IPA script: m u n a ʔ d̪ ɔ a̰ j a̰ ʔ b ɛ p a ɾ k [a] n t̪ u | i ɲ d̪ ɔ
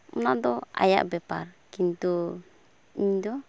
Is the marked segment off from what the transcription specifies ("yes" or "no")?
yes